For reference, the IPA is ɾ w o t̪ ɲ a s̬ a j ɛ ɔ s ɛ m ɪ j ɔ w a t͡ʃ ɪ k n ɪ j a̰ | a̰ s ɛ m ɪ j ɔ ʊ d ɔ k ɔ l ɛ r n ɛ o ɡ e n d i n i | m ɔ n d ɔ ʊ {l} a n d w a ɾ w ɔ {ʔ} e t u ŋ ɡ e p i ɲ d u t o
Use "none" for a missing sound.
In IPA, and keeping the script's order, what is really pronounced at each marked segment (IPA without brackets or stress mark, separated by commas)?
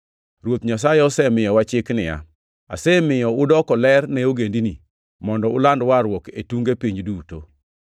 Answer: l, k